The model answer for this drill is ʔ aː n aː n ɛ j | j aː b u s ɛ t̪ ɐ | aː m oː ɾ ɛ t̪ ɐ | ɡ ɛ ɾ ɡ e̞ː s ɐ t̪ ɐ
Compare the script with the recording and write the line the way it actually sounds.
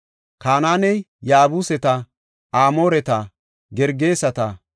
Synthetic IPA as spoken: k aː n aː n ɛ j | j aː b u s ɛ t̪ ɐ | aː m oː ɾ ɛ t̪ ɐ | ɡ ɛ ɾ ɡ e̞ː s ɐ t̪ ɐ